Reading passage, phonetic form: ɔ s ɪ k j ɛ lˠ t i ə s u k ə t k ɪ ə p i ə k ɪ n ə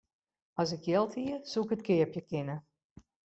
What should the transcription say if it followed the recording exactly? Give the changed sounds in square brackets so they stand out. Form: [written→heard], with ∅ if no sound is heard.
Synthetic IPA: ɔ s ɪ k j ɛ lˠ t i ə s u k ə t k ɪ ə p [i→j] ə k ɪ n ə